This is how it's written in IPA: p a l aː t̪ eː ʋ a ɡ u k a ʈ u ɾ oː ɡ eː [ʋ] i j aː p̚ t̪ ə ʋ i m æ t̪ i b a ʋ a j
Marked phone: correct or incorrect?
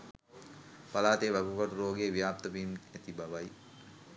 correct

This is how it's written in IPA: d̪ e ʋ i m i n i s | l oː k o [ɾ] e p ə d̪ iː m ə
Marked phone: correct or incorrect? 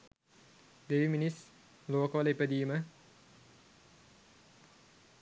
incorrect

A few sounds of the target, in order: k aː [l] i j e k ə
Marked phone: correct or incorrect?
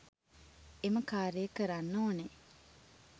incorrect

